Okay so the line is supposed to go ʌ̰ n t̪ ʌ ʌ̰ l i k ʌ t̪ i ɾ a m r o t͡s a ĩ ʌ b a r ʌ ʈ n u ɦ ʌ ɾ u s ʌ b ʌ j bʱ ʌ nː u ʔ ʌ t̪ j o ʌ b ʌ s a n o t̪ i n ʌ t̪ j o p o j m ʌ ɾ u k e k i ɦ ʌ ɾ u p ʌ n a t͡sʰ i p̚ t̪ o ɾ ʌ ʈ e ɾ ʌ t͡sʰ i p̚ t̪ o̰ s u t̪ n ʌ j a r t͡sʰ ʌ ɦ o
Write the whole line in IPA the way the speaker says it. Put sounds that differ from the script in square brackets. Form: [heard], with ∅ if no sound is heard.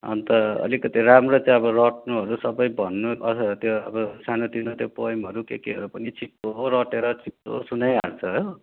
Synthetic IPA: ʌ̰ n t̪ ʌ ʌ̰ l i k ʌ t̪ i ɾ a m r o t͡s a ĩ ʌ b [ʌ] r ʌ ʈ n u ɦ ʌ ɾ u s ʌ b ʌ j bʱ ʌ nː u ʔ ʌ t̪ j o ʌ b ʌ s a n o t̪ i n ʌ t̪ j o p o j m ʌ ɾ u k e k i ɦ ʌ ɾ u p ʌ n [i] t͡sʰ i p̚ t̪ o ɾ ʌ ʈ e ɾ ʌ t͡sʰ i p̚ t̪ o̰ s u [∅] n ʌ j a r t͡sʰ ʌ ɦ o